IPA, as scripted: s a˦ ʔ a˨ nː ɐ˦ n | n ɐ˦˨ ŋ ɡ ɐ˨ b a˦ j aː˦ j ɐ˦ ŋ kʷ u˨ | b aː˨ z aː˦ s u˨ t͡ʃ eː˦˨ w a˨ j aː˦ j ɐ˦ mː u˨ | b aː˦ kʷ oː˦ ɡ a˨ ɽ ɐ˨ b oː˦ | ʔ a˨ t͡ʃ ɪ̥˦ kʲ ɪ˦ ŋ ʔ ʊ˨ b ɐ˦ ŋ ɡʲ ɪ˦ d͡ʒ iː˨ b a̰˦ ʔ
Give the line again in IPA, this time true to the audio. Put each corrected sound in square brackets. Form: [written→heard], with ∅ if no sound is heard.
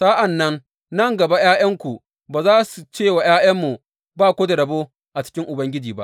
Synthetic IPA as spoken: s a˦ ʔ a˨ nː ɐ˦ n | n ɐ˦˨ ŋ ɡ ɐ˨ b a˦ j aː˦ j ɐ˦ ŋ kʷ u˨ | b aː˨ z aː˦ s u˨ t͡ʃ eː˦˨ w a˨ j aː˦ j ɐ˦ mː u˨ | b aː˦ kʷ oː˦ [ɡ→d] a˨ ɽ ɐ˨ b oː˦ | ʔ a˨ t͡ʃ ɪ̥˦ kʲ ɪ˦ ŋ ʔ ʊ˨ b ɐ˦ ŋ ɡʲ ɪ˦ d͡ʒ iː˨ b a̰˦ ʔ